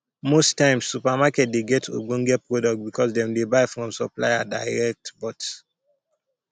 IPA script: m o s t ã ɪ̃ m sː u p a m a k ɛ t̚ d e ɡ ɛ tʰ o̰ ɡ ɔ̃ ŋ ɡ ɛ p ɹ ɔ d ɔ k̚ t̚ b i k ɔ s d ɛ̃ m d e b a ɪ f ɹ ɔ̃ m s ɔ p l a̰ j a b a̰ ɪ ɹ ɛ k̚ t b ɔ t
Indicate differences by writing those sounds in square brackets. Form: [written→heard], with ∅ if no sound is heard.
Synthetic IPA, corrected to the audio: m o s t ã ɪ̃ m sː u p a m a k ɛ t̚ d e ɡ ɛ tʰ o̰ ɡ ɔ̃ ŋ ɡ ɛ p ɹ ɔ d ɔ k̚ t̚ b i k ɔ s d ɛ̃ m d e b a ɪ f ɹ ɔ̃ m s ɔ p l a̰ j a [b→d] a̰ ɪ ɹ ɛ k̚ t b ɔ t